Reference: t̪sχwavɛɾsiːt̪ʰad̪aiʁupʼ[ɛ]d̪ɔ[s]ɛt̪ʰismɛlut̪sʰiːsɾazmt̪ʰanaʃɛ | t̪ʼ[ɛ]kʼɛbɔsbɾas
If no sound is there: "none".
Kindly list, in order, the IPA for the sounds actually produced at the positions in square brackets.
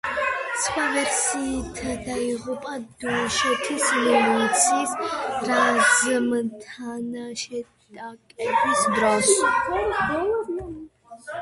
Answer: a, ʃ, a

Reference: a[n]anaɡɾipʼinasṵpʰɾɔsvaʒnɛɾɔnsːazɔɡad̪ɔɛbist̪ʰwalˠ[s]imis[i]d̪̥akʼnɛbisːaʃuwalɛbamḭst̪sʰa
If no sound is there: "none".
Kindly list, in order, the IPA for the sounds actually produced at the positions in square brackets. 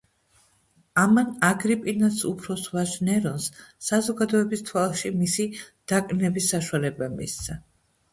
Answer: m, ʃ, i

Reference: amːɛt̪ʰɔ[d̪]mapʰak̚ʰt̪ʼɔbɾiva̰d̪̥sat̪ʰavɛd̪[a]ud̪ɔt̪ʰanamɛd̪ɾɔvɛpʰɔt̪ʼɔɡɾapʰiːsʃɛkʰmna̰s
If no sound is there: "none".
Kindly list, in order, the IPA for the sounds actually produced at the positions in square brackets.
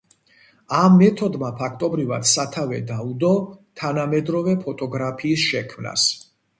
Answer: d̪, a

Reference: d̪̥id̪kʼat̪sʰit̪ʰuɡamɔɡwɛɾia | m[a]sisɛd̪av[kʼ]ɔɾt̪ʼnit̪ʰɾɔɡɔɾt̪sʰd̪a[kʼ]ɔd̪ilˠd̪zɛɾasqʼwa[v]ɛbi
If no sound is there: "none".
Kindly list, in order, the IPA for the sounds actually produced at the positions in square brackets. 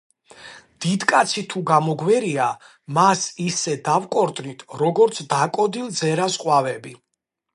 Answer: a, kʼ, kʼ, v

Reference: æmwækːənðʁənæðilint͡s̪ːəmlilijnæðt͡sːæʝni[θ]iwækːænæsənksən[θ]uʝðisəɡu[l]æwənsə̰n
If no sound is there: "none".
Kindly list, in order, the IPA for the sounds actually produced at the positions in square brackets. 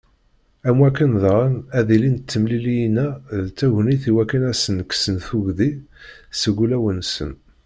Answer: θ, θ, l

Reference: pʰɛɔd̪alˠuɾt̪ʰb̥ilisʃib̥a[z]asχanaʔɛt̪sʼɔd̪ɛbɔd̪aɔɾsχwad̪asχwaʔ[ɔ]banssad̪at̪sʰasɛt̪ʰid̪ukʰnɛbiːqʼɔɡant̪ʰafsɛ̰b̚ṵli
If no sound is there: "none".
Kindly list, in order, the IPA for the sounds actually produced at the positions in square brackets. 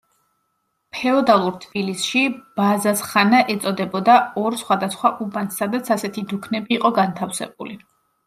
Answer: z, u

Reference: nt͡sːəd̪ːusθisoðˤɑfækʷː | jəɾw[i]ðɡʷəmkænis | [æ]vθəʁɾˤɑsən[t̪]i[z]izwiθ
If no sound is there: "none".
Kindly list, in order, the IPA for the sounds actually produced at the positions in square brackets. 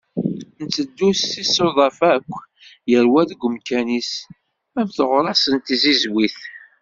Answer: æ, æ, t̪, z

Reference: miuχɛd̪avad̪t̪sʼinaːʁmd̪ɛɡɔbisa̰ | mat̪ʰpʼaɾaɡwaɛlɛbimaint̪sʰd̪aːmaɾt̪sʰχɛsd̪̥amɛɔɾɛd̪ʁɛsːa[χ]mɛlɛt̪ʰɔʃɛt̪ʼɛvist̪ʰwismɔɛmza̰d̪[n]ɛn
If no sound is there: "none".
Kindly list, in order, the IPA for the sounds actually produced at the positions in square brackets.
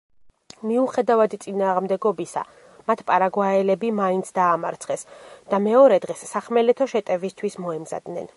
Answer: χ, n

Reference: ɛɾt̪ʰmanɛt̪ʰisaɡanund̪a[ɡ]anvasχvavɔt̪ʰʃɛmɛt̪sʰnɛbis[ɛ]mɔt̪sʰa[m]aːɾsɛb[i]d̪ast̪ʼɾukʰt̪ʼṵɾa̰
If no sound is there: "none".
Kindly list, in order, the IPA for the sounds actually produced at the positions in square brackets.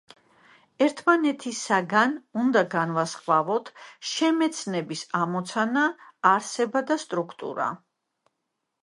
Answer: ɡ, a, n, a

